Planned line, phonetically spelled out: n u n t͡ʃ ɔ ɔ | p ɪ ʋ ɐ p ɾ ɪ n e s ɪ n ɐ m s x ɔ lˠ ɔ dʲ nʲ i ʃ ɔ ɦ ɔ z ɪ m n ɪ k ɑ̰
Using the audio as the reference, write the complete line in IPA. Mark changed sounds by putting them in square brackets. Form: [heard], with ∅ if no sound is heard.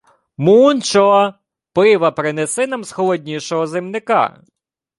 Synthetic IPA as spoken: [m] u n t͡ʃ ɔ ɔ | p ɪ ʋ ɐ p ɾ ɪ n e s ɪ n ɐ m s x ɔ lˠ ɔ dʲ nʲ i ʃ ɔ ɦ ɔ z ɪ m n ɪ k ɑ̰

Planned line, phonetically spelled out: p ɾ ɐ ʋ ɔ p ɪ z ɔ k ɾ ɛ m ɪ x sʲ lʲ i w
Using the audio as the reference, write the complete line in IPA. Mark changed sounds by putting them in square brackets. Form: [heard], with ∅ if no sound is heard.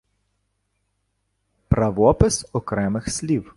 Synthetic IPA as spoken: p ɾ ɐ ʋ ɔ p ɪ [s] ɔ k ɾ ɛ m ɪ x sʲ lʲ i w

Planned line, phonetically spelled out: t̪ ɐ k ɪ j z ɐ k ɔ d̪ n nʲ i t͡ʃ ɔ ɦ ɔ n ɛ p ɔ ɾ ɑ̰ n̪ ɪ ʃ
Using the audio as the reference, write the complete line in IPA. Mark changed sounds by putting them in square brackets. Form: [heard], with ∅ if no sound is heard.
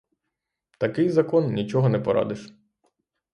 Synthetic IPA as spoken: t̪ ɐ k ɪ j z ɐ k ɔ [∅] n nʲ i t͡ʃ ɔ ɦ ɔ n ɛ p ɔ ɾ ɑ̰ [d̪] ɪ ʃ

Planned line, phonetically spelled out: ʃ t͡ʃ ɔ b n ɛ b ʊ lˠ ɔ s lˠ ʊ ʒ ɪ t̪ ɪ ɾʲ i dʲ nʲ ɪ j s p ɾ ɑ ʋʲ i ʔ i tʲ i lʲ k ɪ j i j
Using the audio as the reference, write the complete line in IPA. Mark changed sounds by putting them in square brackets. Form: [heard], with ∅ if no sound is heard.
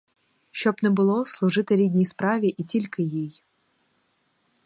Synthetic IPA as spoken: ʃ t͡ʃ ɔ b n ɛ b ʊ lˠ ɔ s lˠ ʊ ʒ ɪ t̪ ɪ ɾʲ i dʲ nʲ [i] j s p ɾ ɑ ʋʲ i ʔ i tʲ i lʲ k ɪ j i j

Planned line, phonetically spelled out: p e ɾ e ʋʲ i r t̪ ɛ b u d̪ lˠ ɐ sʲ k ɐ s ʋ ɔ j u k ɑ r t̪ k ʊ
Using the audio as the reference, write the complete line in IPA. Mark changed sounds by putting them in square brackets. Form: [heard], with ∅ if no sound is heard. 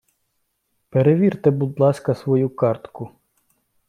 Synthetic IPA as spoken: p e ɾ e ʋʲ i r t̪ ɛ b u d̪ lˠ [ɑ] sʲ k ɐ s ʋ ɔ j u k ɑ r t̪ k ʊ

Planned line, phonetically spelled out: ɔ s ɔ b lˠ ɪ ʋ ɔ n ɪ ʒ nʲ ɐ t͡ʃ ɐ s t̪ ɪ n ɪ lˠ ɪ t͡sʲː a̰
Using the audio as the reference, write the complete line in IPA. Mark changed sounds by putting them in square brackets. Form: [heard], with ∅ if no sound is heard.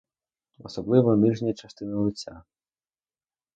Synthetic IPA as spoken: ɔ s ɔ b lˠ ɪ ʋ ɔ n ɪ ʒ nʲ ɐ t͡ʃ ɐ s t̪ ɪ n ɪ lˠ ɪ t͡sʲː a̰

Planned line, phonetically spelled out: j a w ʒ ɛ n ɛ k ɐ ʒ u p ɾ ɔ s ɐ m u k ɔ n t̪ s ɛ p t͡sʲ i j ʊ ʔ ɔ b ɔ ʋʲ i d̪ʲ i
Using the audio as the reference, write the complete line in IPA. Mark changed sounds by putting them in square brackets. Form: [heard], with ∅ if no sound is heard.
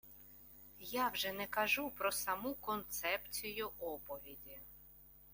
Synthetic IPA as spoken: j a w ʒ ɛ n ɛ k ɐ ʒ u p ɾ ɔ s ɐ m u k ɔ n t̪ s ɛ p t͡sʲ i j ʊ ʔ ɔ [p] ɔ ʋʲ i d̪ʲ i

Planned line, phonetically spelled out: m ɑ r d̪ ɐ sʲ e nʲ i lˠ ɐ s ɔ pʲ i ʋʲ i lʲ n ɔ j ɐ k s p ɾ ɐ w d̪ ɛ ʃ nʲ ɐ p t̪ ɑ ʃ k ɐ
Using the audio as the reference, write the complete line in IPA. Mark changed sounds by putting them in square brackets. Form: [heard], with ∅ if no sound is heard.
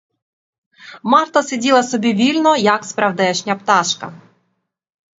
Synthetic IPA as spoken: m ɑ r [t̪] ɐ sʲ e [dʲ] i lˠ ɐ s ɔ [bʲ] i ʋʲ i lʲ n ɔ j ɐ k s p ɾ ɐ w d̪ ɛ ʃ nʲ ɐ p t̪ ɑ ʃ k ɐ

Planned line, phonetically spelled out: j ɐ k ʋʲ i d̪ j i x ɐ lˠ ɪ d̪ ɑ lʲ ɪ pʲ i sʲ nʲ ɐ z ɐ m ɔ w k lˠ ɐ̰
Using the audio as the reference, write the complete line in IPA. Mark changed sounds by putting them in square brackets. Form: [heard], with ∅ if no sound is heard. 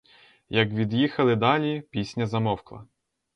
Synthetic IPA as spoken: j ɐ k ʋʲ i d̪ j i x ɐ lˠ ɪ d̪ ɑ lʲ [i] pʲ i sʲ nʲ ɐ z ɐ m ɔ w k lˠ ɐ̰

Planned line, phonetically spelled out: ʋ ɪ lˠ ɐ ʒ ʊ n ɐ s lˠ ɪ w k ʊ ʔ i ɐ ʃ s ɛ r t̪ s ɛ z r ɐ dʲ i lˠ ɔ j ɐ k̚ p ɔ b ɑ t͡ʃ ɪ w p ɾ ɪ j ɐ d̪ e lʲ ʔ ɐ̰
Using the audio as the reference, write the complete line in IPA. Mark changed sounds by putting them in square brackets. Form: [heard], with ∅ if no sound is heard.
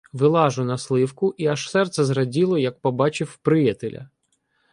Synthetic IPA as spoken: ʋ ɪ lˠ [ɑ] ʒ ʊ n ɐ s lˠ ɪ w k ʊ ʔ i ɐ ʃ s ɛ r t̪ s ɛ z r ɐ dʲ i lˠ ɔ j ɐ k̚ p ɔ b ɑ t͡ʃ ɪ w p ɾ ɪ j ɐ [t̪] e lʲ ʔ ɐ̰

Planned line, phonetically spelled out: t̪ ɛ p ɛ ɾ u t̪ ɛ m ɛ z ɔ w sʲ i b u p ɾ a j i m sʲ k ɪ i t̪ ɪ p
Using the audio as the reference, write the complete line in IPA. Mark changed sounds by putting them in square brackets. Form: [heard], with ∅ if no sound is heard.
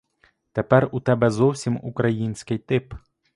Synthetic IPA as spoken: t̪ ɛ p ɛ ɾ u t̪ ɛ [b] ɛ z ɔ w sʲ i [m] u [k] ɾ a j i [n] sʲ k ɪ [j] t̪ ɪ p

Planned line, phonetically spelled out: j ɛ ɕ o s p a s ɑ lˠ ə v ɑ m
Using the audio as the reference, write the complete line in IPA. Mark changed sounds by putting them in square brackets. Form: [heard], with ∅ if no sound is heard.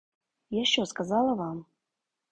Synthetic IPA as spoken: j [a] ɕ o s [k] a [z] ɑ lˠ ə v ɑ m

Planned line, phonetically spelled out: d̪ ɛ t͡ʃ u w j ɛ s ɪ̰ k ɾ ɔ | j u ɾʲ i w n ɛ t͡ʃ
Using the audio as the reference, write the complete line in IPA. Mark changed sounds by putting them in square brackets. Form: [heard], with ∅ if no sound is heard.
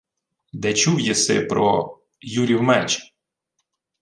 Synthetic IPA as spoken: d̪ ɛ t͡ʃ u w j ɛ s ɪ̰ [p] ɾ ɔ | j u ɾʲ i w [m] ɛ t͡ʃ

